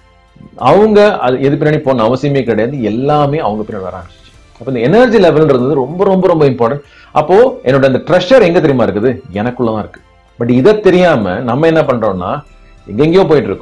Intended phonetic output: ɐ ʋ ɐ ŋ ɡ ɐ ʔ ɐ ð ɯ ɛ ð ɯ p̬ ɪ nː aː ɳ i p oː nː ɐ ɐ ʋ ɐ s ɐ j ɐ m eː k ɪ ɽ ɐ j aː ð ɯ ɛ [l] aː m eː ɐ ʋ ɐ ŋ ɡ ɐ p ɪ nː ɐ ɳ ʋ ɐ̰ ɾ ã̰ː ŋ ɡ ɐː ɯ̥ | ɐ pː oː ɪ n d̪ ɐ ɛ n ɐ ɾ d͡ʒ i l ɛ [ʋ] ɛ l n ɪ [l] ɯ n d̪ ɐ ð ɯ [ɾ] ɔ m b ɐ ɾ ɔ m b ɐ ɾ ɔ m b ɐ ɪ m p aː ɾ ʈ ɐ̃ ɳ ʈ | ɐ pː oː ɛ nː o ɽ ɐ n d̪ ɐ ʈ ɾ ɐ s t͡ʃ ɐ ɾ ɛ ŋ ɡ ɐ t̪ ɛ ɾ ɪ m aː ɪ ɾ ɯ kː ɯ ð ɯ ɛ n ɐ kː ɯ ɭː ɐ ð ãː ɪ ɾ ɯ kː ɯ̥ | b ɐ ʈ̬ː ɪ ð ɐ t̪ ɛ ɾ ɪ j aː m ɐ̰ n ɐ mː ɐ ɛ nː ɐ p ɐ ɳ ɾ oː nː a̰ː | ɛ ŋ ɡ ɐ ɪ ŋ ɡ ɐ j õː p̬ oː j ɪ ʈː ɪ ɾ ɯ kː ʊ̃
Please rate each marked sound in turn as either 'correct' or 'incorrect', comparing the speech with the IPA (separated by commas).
incorrect, correct, incorrect, correct